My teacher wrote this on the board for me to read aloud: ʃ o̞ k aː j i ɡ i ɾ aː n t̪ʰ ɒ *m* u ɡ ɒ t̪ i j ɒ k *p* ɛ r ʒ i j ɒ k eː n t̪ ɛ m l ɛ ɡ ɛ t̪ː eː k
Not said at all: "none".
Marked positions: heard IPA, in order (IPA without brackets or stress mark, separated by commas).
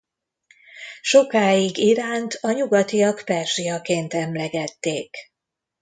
ɲ, p